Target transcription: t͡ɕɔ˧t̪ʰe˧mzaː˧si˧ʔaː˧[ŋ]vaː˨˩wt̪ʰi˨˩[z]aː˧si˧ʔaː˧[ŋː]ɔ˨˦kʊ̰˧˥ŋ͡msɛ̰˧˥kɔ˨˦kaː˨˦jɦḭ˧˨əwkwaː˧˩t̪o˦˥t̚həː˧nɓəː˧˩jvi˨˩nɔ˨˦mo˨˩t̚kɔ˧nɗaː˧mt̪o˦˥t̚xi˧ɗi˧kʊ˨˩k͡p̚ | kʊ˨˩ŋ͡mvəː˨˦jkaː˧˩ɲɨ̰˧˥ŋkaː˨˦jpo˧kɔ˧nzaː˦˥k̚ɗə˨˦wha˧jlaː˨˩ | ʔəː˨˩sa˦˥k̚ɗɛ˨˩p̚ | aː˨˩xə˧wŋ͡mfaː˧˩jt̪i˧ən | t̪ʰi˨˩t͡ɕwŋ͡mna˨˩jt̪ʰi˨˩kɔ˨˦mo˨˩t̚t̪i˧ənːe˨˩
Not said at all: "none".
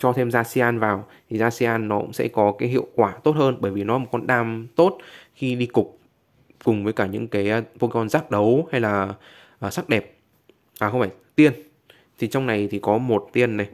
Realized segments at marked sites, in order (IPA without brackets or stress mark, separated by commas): n, z, nː